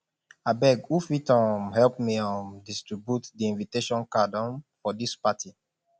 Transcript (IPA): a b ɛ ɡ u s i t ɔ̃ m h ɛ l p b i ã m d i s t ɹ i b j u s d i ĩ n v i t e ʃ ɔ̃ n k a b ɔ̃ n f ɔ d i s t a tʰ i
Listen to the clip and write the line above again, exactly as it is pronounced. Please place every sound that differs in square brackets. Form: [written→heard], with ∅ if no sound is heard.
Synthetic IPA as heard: a b ɛ ɡ u [s→f] i t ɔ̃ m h ɛ l p [b→m] i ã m d i s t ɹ i b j u [s→t] d i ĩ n v i t e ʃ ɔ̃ n k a [b→d] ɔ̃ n f ɔ d i s [t→p] a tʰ i